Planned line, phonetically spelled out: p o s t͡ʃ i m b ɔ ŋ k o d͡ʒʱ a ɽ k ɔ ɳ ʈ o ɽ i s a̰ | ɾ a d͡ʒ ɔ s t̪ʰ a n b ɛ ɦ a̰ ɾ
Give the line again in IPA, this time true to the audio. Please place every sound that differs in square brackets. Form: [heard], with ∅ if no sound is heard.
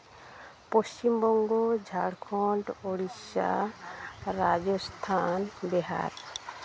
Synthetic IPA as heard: p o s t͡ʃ i m b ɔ ŋ [ɡ] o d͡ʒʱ a ɽ [kʰ] ɔ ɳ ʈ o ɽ i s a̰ | ɾ a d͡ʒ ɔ s t̪ʰ a n b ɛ ɦ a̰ ɾ